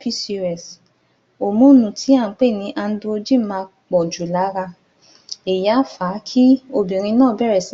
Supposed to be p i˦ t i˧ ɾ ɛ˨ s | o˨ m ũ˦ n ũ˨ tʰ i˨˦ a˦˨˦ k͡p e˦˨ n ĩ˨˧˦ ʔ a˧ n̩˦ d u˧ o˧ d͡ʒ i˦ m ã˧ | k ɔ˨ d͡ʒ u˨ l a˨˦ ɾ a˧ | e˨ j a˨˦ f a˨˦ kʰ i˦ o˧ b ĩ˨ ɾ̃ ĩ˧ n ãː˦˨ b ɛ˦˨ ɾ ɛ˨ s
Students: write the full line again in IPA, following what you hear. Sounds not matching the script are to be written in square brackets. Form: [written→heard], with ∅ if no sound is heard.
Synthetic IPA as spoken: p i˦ [t→s] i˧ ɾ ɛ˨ s | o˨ m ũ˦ n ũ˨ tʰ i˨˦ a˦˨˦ k͡p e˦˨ n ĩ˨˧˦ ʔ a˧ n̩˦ d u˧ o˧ d͡ʒ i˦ m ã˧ | [k→k͡p] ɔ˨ d͡ʒ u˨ l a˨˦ ɾ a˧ | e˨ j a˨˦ f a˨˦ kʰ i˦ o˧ b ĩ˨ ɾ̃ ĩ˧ n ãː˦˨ b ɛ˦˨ ɾ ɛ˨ s